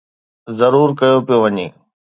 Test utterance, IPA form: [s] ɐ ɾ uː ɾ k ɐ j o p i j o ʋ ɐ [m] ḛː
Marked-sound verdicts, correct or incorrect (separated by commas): incorrect, incorrect